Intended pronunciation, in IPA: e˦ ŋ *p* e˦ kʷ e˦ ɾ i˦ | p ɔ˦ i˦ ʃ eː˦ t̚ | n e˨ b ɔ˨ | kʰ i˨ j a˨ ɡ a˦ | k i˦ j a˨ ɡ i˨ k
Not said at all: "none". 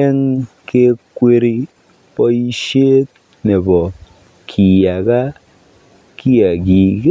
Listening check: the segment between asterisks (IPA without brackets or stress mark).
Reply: k